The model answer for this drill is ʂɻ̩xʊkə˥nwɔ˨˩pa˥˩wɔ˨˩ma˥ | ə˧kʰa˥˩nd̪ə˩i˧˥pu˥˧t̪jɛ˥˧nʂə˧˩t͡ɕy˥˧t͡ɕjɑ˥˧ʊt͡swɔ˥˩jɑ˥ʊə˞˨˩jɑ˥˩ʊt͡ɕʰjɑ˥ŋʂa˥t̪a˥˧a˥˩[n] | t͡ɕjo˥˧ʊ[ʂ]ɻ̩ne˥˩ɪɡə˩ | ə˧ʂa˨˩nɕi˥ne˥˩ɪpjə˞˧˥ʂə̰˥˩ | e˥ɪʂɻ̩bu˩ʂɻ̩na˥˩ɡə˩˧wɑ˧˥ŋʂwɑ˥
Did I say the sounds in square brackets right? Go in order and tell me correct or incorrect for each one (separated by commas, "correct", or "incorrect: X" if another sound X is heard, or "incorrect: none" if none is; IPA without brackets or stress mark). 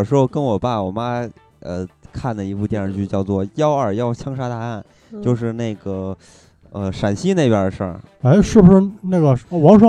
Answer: correct, correct